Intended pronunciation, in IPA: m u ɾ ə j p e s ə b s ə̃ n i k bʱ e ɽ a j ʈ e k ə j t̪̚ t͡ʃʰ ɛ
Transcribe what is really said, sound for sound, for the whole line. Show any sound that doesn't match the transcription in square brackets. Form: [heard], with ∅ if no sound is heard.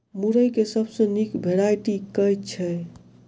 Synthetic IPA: m u ɾ ə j [k] e s ə b s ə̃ n i k bʱ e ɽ a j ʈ [i] k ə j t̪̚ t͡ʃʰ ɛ